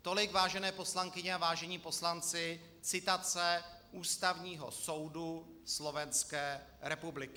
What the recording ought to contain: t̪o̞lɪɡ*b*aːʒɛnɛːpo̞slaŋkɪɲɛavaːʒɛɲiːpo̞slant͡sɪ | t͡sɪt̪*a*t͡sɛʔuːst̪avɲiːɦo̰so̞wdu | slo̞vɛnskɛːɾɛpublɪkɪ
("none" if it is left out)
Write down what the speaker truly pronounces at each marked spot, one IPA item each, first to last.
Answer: v, a

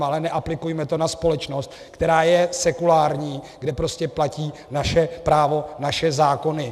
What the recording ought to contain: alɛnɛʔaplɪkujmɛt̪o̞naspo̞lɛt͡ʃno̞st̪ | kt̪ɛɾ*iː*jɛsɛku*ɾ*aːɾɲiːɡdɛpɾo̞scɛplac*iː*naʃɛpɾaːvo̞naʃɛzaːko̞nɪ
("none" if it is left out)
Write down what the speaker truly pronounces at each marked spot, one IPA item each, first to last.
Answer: aː, l, iː

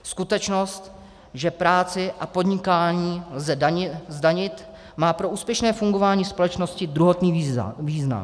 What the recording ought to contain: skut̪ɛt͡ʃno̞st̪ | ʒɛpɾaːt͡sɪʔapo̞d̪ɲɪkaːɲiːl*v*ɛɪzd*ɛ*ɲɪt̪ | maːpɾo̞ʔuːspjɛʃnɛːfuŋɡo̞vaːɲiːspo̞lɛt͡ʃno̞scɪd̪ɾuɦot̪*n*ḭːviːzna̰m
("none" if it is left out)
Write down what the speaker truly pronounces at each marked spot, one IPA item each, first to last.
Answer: z, a, n

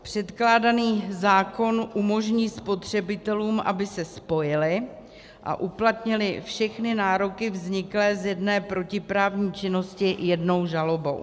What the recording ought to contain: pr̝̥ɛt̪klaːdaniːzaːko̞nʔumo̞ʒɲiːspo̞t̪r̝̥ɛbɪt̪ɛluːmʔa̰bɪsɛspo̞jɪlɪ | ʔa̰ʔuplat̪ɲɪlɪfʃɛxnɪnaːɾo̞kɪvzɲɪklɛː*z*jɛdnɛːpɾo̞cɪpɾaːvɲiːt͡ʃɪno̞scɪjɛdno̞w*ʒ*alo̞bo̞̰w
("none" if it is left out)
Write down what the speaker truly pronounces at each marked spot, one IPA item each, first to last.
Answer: z, ʒ

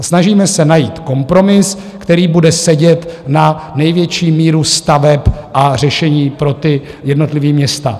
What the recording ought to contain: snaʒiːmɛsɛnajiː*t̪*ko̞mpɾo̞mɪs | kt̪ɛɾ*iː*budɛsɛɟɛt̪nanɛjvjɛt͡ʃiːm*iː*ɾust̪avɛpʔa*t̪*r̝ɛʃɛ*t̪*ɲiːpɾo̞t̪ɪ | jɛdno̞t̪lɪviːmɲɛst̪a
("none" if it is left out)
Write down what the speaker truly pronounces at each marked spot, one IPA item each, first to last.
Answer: t̪, iː, iː, none, none

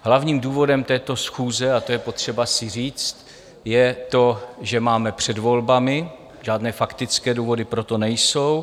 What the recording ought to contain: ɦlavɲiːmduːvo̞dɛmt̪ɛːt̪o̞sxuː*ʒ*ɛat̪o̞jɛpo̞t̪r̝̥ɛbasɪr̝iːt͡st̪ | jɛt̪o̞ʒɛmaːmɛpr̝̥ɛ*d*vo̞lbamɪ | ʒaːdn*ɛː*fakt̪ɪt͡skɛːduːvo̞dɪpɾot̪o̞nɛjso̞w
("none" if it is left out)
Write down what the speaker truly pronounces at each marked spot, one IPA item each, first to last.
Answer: z, d, ɛː

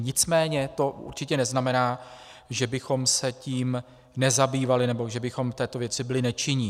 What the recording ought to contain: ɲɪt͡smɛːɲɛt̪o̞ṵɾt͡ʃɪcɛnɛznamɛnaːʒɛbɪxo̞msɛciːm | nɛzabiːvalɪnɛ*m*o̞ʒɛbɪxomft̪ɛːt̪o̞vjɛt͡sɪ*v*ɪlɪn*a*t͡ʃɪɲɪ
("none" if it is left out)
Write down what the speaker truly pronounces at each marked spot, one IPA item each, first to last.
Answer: b, b, ɛ

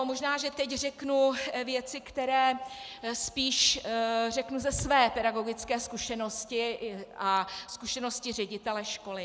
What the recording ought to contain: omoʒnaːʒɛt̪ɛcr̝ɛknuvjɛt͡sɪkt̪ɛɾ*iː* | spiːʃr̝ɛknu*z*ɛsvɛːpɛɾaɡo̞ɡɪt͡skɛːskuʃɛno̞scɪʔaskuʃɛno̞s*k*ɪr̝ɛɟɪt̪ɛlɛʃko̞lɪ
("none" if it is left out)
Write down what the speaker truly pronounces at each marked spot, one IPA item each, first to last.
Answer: ɛː, z, c

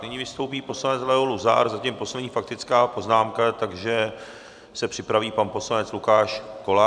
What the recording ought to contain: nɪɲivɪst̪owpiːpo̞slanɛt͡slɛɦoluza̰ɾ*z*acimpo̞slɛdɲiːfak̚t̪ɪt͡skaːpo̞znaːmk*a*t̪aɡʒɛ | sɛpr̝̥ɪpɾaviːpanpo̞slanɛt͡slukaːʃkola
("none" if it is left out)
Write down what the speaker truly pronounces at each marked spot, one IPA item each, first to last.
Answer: z, a

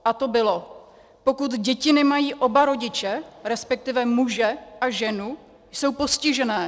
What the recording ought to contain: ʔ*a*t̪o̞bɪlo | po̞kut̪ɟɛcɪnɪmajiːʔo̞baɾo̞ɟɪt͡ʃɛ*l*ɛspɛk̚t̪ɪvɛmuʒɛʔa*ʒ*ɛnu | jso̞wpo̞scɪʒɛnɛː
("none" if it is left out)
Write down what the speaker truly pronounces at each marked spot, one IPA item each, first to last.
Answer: a, ɾ, ʒ

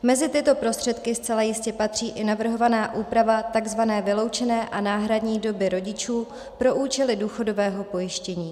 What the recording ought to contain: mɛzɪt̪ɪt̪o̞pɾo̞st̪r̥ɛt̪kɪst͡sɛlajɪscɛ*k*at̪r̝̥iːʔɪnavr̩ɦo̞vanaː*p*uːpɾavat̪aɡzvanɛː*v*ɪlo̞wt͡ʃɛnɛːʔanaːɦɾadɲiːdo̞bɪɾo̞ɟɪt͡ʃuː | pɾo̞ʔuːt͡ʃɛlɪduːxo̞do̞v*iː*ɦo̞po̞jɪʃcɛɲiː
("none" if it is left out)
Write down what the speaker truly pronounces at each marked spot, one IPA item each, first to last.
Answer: p, ʔ, v, ɛː

